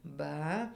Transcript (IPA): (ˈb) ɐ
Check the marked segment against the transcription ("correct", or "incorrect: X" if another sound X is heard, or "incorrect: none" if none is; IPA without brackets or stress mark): correct